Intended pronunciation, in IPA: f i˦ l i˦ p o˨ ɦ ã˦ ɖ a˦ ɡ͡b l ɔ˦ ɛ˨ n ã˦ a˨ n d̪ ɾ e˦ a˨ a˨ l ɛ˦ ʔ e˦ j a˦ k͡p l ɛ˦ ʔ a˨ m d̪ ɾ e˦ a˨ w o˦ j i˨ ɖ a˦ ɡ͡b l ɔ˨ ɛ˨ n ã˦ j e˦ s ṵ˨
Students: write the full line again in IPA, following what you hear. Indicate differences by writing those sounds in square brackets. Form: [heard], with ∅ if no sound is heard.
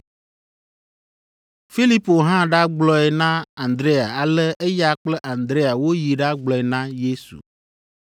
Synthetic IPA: f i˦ l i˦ p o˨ ɦ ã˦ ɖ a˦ ɡ͡b l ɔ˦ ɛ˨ n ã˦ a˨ n d̪ ɾ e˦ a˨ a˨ l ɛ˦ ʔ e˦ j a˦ k͡p l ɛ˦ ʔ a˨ [n] d̪ ɾ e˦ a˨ w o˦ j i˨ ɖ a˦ ɡ͡b l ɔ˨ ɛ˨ n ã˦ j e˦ s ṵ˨

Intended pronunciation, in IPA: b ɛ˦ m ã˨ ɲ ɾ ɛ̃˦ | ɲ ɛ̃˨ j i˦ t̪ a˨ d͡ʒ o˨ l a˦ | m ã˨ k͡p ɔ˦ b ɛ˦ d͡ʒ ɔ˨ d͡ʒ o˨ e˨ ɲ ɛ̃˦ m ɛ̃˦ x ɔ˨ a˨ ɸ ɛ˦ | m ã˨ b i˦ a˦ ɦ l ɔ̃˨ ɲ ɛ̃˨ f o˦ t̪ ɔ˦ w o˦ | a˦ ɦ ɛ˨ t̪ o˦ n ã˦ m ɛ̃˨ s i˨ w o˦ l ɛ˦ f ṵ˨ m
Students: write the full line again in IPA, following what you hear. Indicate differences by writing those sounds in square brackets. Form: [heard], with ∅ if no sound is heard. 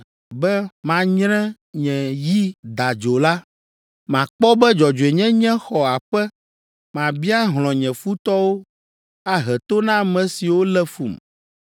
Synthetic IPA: b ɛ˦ m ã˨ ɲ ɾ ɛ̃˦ | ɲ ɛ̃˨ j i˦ [d̪] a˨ d͡ʒ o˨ l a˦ | m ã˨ k͡p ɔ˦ b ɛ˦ d͡ʒ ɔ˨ d͡ʒ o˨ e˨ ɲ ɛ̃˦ [ɲ] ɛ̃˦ x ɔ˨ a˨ ɸ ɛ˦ | m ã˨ b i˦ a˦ ɦ l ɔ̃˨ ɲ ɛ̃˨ f [u˦] t̪ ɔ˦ w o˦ | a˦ ɦ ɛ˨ t̪ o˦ n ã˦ m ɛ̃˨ s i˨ w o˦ l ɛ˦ f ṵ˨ m

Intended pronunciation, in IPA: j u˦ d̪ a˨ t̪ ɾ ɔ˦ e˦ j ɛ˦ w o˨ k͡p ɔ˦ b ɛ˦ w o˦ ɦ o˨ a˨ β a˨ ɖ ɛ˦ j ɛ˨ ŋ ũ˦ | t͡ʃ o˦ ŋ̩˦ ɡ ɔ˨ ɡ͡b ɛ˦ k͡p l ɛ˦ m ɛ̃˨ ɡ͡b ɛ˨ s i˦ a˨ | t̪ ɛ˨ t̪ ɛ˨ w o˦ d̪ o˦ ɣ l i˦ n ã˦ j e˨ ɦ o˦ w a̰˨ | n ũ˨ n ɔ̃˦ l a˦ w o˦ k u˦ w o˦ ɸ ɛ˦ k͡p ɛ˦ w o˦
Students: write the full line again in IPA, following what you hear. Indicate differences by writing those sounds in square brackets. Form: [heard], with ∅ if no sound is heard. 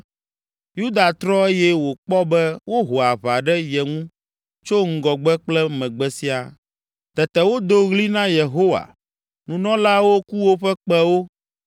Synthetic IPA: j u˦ d̪ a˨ t̪ ɾ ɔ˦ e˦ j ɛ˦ w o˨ k͡p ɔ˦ b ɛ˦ w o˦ ɦ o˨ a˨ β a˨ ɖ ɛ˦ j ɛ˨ ŋ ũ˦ | t͡ʃ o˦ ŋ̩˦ ɡ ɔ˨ ɡ͡b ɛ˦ k͡p l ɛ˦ m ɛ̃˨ ɡ͡b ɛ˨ s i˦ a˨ | t̪ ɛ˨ t̪ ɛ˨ w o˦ d̪ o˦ ɣ l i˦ n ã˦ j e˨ ɦ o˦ w a̰˨ | n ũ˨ n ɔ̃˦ l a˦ w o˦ k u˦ w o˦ ɸ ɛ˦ k͡p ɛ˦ w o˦

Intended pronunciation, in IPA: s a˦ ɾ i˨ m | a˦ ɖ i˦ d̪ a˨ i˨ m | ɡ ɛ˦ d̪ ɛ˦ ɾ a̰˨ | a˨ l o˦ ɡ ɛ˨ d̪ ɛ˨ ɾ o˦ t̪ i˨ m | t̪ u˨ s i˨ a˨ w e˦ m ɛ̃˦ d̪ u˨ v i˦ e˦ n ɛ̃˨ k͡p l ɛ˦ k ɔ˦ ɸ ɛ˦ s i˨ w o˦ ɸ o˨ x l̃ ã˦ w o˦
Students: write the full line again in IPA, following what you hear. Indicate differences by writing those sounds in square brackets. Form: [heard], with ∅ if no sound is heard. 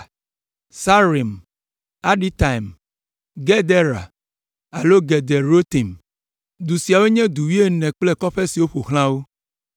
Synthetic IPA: s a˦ ɾ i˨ m | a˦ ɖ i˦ [t̪] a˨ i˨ m | ɡ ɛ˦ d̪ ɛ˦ ɾ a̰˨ | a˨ l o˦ ɡ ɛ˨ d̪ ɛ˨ ɾ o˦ t̪ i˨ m | [d̪] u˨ s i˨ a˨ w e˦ [ɲ] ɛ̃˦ d̪ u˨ [w] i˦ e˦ n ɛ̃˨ k͡p l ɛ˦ k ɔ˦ ɸ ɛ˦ s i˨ w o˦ ɸ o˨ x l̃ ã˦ w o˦

